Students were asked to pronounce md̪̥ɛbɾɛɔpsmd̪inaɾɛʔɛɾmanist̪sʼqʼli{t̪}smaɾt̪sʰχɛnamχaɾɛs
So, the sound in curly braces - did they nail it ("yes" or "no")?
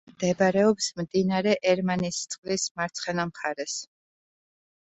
no